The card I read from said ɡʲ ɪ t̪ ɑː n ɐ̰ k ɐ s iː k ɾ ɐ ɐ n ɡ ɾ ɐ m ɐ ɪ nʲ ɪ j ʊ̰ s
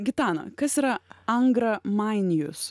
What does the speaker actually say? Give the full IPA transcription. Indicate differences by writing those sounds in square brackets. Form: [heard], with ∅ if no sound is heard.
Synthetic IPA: ɡʲ ɪ t̪ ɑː n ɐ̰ k ɐ s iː [∅] ɾ ɐ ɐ [ŋ] ɡ ɾ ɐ m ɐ ɪ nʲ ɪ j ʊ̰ s